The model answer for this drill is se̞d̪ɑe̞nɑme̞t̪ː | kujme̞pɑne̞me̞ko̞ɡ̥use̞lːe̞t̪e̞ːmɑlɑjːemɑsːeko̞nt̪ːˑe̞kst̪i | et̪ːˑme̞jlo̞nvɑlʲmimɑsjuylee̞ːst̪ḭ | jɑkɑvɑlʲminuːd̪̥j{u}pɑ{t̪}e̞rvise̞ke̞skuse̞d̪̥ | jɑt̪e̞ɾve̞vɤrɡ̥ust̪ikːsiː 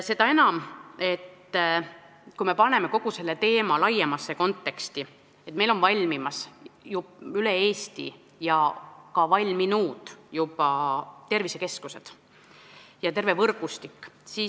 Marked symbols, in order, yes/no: yes, yes

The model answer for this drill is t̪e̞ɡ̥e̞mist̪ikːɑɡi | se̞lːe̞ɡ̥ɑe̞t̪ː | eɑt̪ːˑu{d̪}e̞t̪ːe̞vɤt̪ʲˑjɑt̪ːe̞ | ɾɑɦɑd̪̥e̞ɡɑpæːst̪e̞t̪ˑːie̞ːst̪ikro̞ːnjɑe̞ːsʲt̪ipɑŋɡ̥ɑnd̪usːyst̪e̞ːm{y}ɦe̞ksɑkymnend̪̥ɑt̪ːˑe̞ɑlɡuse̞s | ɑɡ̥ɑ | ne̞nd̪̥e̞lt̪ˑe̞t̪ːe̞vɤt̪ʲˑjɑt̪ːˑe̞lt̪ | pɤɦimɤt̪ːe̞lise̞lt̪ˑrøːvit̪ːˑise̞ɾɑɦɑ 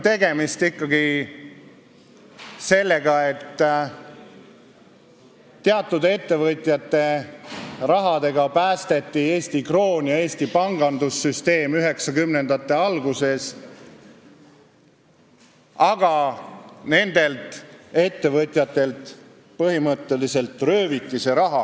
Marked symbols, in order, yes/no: yes, yes

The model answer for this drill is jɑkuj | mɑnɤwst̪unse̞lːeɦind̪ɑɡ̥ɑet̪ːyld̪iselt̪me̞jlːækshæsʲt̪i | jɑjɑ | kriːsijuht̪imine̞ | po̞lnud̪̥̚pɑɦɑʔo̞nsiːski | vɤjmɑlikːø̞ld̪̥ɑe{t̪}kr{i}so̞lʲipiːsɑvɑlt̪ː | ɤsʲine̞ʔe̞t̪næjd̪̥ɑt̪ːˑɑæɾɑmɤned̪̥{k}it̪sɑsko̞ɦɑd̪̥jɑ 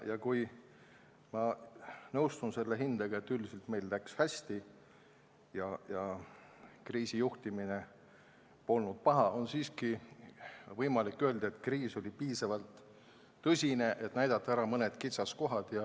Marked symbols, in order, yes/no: yes, no, yes

